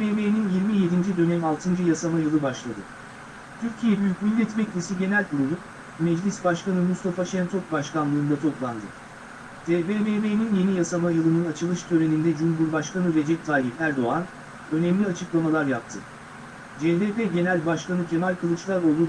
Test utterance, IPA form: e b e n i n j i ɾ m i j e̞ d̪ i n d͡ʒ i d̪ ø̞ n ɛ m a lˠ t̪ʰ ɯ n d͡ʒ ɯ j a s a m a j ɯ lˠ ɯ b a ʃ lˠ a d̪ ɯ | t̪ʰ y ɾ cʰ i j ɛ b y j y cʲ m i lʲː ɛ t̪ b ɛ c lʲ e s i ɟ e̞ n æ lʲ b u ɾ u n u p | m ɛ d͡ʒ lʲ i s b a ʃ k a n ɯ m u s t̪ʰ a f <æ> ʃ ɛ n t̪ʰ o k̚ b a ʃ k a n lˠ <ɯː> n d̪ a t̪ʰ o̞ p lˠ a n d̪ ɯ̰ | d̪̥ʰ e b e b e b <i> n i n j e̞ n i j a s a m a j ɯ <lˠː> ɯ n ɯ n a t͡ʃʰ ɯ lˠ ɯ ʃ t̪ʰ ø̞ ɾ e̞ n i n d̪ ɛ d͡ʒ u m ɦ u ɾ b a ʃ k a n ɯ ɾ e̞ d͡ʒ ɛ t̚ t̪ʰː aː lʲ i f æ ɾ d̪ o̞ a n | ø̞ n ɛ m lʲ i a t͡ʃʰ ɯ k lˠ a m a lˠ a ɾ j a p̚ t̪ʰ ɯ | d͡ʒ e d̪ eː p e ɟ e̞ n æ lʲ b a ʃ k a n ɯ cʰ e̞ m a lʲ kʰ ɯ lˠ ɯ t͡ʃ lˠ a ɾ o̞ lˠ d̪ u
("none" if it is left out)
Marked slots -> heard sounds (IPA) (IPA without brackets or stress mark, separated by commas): a, ɯː, e, lˠ